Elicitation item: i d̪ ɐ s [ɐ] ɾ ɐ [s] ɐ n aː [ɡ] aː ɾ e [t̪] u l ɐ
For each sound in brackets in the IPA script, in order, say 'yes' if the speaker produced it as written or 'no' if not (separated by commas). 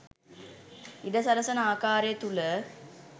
yes, yes, no, yes